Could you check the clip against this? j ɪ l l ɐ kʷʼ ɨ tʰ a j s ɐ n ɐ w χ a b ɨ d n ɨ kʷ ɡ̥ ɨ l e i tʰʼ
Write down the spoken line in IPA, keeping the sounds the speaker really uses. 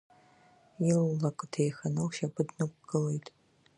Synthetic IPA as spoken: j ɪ l l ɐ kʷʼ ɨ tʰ e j x ɐ n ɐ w ʃ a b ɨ d n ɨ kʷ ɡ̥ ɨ l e j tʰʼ